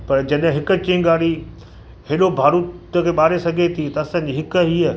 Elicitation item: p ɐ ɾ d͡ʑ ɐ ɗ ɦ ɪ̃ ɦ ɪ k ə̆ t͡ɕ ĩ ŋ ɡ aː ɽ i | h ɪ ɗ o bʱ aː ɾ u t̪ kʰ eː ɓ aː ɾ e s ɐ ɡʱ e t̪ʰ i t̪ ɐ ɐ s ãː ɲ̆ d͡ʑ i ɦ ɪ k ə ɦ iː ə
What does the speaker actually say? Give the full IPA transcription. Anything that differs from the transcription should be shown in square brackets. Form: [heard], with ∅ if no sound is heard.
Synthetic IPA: p ɐ ɾ d͡ʑ ɐ ɗ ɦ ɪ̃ ɦ ɪ k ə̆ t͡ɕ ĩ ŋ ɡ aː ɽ i | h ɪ ɗ o bʱ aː ɾ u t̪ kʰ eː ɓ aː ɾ e s ɐ ɡʱ e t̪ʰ i t̪ ɐ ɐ s ãː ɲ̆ d͡ʑ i ɦ ɪ k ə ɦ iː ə